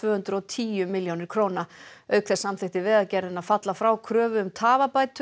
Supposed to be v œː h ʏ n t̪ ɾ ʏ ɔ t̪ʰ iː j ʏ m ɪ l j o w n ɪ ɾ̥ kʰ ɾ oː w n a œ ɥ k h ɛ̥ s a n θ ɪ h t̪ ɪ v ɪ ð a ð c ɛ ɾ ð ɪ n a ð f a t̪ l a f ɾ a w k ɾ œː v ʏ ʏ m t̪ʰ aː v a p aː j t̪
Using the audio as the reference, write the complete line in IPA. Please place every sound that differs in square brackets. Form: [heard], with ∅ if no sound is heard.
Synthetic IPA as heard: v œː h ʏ n t̪ ɾ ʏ ɔ t̪ʰ iː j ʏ m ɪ l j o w n ɪ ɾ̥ kʰ ɾ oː w n a œ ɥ k [θ] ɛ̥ s a [m] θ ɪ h t̪ ɪ v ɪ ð a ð c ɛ ɾ ð ɪ n a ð f a t̪ l a f ɾ a w [kʰ] ɾ œː v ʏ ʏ m t̪ʰ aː v a p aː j t̪